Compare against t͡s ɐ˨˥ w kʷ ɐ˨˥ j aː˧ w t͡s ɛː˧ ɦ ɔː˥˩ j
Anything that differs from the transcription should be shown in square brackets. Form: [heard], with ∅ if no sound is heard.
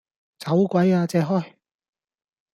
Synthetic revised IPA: t͡s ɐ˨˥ w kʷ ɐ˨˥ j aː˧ [∅] t͡s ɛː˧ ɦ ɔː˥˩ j